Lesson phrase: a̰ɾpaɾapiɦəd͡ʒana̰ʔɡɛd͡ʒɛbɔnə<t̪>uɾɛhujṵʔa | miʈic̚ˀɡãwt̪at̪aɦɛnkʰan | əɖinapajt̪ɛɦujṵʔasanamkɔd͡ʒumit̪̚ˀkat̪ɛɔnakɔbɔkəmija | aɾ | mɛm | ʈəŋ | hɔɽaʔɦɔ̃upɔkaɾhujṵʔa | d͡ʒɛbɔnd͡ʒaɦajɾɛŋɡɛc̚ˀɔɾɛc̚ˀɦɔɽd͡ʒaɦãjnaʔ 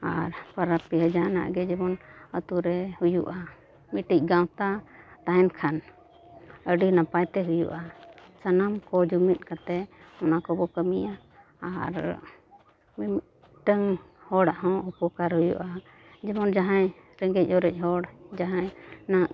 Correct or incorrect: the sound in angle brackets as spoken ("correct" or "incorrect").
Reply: correct